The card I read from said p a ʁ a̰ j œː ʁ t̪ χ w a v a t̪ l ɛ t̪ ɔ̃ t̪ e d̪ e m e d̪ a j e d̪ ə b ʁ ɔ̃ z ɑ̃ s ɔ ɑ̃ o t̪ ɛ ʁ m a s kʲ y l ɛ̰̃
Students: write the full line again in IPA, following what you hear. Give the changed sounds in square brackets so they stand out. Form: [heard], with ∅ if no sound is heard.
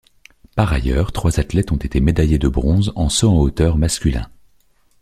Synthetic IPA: p a ʁ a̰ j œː ʁ t̪ χ w a [z] a t̪ l ɛ t̪ ɔ̃ t̪ e [t̪] e m e d̪ a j e d̪ ə b ʁ ɔ̃ z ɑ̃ s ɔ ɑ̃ o t̪ [œ] ʁ m a s kʲ y l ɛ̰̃